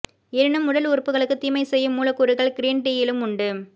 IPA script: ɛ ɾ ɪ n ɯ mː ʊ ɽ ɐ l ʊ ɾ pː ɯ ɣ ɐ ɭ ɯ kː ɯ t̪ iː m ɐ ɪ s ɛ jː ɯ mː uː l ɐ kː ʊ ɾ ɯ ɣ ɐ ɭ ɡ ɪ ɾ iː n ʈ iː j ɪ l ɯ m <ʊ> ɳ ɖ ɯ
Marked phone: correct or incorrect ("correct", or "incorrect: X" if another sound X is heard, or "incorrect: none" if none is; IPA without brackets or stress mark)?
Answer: correct